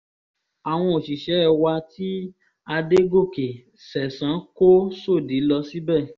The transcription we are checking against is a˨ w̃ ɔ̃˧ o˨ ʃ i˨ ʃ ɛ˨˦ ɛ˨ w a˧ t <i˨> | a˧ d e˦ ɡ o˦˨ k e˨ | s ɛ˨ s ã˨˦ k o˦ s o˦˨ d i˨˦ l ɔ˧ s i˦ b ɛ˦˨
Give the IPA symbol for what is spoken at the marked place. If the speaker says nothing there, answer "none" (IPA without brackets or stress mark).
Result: i˦